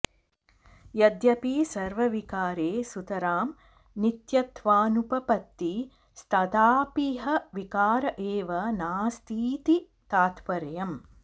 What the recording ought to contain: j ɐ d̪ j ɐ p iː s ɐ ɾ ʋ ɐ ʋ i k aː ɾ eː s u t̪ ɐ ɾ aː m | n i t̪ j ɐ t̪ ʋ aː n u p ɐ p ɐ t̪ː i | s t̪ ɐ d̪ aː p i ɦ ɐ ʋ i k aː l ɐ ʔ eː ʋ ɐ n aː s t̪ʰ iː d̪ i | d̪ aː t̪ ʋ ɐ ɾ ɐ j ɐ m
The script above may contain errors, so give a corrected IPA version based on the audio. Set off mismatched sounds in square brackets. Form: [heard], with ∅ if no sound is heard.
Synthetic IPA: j ɐ d̪ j ɐ p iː s ɐ ɾ ʋ ɐ ʋ i k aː ɾ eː s u t̪ ɐ ɾ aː m | n i t̪ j ɐ t̪ ʋ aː n u p ɐ p ɐ t̪ː i | s t̪ ɐ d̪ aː p i ɦ ɐ ʋ i k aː [ɾ] ɐ ʔ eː ʋ ɐ n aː s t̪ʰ iː [t̪] i | [t̪] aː t̪ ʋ ɐ ɾ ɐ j ɐ m